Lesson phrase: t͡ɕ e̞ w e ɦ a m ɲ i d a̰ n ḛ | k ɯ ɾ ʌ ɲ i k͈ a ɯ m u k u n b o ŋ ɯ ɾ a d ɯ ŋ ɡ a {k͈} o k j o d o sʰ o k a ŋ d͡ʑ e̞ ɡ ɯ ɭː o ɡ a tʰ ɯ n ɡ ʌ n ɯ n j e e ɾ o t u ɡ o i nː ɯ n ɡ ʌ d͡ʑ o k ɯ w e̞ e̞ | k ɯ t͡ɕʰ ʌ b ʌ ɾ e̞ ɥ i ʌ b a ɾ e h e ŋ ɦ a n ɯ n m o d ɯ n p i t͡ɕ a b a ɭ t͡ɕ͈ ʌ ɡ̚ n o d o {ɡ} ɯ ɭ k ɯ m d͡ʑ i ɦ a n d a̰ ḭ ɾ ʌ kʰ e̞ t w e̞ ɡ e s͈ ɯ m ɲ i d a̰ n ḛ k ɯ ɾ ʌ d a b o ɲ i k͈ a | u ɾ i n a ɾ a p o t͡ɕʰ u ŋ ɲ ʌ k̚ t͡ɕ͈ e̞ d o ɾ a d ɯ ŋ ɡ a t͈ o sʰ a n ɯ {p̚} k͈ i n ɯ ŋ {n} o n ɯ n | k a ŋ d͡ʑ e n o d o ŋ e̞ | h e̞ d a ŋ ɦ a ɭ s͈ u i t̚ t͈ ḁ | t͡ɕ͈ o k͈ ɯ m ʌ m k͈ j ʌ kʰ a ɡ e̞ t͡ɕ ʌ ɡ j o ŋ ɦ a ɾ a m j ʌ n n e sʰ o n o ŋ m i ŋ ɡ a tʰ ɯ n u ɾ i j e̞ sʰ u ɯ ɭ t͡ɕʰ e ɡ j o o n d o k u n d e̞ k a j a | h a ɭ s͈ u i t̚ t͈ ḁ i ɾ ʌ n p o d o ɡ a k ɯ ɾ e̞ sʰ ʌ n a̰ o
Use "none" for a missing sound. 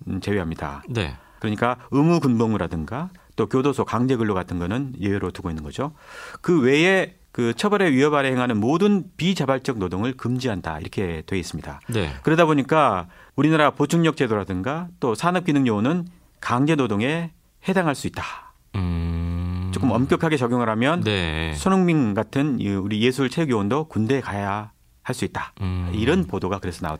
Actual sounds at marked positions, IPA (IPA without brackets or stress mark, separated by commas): t͈, ŋ, p̚, ɲ